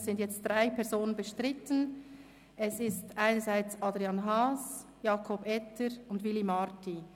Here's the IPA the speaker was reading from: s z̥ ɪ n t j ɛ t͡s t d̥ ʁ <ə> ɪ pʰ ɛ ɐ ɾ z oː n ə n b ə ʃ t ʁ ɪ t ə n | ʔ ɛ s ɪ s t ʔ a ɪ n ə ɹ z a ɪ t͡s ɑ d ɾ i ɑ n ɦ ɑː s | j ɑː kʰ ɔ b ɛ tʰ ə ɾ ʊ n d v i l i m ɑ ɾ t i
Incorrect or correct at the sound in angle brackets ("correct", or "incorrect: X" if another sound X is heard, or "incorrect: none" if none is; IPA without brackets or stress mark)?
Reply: incorrect: a